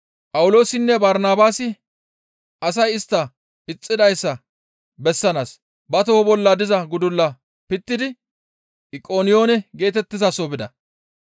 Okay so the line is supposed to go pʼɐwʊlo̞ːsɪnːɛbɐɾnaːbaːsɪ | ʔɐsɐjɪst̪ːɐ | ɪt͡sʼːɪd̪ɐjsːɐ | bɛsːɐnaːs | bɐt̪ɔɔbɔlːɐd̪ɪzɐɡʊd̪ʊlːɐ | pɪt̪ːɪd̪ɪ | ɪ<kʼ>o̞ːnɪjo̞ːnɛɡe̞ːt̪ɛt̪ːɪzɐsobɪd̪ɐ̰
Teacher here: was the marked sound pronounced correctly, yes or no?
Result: yes